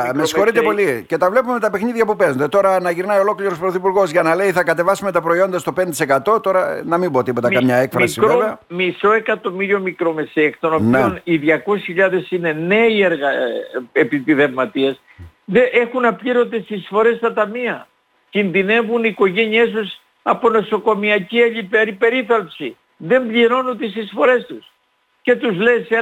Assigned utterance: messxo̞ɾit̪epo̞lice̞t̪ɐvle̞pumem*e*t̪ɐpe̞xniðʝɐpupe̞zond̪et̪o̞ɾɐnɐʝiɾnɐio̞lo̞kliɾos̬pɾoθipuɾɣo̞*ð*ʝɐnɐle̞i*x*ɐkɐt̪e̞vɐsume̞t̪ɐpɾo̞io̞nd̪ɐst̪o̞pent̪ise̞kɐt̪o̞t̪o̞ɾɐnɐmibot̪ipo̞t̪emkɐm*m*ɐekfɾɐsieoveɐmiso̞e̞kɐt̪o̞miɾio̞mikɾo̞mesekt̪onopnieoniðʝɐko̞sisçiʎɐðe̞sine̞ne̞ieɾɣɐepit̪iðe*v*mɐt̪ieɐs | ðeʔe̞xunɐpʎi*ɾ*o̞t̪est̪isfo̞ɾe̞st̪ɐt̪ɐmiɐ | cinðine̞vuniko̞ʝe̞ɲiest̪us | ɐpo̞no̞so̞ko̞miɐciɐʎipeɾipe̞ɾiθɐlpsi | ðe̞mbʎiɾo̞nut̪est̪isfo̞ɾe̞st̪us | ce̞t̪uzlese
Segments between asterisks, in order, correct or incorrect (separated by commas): correct, incorrect, incorrect, incorrect, correct, correct